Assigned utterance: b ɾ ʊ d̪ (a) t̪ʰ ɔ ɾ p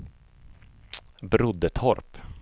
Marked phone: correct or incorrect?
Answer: incorrect